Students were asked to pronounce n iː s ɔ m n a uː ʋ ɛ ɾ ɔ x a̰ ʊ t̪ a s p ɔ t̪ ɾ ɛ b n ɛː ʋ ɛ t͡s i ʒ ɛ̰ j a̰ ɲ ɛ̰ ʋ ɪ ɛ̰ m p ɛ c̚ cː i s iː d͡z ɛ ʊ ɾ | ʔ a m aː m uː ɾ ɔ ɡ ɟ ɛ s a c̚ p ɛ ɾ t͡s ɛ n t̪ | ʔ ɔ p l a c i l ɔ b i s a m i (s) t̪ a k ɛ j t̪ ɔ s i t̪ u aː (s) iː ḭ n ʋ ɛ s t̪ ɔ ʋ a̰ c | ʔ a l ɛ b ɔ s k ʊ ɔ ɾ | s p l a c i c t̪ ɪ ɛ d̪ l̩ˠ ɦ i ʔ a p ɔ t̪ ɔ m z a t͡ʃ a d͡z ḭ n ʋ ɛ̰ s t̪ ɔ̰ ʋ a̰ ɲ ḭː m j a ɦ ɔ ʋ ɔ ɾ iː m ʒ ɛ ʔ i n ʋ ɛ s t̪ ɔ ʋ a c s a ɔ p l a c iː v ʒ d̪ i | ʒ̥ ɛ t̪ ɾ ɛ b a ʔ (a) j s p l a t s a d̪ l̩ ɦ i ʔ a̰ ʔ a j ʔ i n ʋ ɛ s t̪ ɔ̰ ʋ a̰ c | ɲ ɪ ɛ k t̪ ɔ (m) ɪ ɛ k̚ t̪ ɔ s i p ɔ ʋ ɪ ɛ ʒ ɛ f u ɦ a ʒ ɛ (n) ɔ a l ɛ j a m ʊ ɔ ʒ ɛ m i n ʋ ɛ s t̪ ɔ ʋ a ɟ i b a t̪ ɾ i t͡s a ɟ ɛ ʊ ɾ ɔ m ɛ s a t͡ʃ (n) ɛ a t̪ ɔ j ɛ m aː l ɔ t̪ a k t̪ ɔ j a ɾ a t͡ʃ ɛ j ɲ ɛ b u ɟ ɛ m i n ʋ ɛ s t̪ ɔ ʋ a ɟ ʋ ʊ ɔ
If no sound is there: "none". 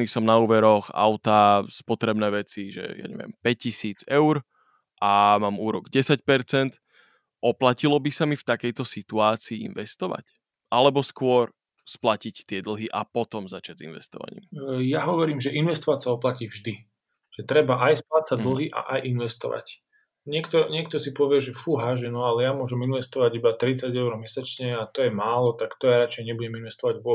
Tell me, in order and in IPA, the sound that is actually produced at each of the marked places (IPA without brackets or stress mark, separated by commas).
f, t͡s, a, ɲ, n, ɲ